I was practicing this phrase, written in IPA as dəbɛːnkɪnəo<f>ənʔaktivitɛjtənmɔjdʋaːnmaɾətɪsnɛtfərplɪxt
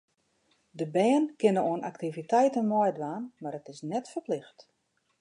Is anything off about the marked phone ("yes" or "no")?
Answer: yes